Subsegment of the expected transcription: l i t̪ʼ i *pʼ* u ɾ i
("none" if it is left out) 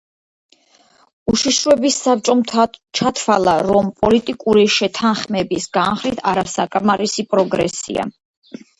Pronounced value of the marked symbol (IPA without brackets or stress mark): kʼ